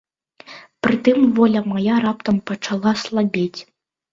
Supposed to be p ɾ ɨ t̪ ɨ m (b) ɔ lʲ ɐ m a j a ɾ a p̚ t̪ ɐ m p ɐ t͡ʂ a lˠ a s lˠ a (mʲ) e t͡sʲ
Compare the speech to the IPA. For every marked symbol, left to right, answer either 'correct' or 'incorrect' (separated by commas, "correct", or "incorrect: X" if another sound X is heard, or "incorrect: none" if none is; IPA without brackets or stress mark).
incorrect: v, incorrect: bʲ